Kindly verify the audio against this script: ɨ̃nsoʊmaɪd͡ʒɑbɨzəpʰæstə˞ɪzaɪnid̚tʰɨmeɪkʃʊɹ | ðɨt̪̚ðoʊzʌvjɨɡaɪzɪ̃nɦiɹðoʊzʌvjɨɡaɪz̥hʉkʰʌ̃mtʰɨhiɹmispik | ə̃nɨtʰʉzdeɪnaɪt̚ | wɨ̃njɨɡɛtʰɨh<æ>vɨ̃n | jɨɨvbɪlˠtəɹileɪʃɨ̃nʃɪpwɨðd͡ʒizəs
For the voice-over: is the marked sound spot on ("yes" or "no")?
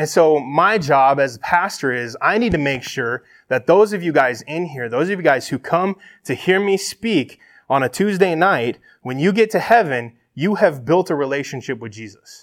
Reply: no